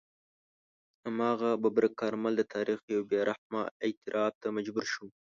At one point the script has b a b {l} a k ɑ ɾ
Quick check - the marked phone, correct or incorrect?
incorrect